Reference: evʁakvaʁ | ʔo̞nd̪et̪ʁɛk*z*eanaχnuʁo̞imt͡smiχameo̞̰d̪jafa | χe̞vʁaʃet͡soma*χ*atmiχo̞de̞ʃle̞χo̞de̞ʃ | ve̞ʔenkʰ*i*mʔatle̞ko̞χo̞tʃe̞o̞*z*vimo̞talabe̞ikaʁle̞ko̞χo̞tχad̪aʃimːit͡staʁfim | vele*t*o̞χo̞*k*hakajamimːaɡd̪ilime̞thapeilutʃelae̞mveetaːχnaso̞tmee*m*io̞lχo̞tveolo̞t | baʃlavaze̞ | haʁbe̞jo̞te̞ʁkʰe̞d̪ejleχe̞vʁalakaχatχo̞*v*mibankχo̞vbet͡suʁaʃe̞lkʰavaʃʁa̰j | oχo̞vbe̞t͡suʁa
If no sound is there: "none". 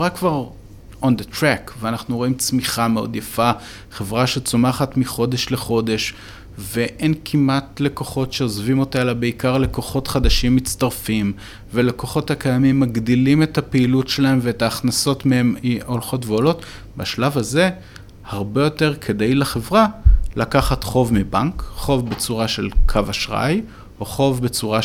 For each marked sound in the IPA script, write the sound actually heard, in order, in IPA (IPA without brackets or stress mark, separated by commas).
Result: v, χ, i, z, k, t, m, v